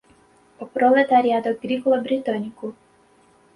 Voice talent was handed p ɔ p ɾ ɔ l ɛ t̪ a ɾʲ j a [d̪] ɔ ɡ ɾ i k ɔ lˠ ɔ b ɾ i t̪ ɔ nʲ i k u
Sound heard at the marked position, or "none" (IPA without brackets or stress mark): d̪